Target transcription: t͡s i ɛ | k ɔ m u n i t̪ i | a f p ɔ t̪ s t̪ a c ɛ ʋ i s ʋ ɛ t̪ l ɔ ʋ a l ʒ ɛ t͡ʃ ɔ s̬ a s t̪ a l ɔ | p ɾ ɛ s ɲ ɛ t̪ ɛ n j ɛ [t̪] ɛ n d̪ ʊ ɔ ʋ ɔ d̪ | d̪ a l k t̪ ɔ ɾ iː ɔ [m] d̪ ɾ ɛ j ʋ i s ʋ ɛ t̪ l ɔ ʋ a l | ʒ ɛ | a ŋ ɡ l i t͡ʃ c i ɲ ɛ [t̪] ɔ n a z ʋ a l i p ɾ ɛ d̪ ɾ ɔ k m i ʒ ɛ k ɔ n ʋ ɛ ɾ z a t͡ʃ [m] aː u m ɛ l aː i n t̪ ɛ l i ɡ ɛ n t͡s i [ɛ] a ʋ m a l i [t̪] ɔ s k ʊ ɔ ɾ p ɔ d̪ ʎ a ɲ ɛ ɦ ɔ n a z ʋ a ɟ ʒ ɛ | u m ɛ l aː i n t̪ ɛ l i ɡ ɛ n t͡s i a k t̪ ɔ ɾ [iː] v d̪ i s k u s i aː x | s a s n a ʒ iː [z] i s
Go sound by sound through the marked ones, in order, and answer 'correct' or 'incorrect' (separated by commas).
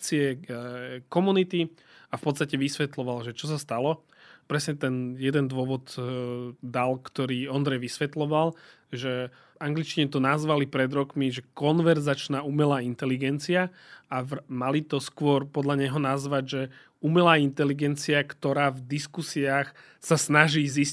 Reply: incorrect, incorrect, correct, incorrect, incorrect, correct, incorrect, correct